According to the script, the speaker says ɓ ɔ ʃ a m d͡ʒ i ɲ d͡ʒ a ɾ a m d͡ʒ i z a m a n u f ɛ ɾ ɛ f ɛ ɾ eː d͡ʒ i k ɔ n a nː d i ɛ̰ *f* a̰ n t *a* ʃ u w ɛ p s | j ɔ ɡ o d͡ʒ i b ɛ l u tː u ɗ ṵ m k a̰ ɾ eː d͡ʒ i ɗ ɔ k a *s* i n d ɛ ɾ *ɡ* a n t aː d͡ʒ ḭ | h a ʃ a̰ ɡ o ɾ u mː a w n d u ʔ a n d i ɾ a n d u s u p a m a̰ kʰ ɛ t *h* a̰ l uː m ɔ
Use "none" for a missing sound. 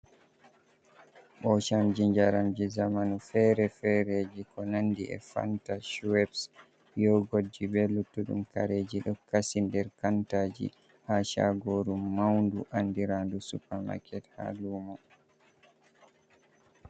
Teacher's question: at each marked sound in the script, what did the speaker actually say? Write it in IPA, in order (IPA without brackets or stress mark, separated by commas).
f, a, s, k, h